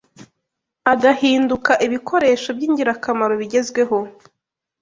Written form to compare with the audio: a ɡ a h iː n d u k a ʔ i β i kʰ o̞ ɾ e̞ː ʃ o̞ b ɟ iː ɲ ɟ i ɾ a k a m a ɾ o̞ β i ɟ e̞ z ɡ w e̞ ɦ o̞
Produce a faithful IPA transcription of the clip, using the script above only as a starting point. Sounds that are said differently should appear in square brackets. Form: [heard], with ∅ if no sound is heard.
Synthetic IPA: a ɡ a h iː n d u k a ʔ i β i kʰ o̞ ɾ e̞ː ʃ o̞ b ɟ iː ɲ ɟ i ɾ a k a m a ɾ o̞ β i ɟ e̞ z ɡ w e̞ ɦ o̞